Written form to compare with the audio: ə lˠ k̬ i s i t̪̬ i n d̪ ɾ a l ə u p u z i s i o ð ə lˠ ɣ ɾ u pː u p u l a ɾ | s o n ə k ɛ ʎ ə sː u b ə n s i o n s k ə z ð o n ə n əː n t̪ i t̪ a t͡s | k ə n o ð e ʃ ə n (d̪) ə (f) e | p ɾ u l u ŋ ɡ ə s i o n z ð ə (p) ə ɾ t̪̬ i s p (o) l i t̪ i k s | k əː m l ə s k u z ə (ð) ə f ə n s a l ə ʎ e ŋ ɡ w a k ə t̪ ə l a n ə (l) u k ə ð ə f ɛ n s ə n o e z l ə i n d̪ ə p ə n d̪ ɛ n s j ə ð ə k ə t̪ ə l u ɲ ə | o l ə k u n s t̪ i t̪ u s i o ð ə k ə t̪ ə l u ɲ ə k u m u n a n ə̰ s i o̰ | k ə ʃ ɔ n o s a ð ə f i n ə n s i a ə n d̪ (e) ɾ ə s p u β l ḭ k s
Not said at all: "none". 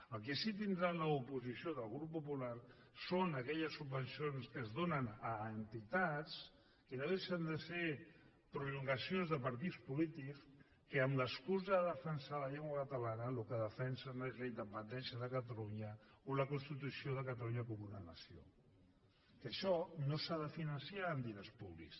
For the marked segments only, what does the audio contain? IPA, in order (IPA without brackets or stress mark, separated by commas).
d̪, s, p, u, ð, l, i